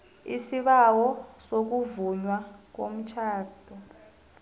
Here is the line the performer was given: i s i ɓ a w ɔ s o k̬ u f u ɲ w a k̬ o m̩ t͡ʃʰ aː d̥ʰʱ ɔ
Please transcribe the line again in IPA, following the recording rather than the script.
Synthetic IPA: i s i ɓ a w ɔ s o k̬ u v u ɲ w a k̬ o m̩ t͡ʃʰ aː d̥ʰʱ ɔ